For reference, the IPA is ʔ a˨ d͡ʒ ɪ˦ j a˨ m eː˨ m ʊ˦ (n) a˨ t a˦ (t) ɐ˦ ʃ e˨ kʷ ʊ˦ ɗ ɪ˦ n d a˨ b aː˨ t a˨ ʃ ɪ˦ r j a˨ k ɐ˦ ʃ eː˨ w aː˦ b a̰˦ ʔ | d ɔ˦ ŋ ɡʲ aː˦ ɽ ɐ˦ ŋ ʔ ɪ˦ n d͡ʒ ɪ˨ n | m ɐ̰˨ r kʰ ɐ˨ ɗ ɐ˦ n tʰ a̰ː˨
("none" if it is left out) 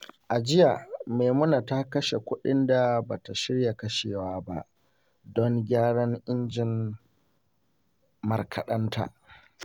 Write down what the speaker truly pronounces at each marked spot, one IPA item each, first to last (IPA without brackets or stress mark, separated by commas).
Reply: n, k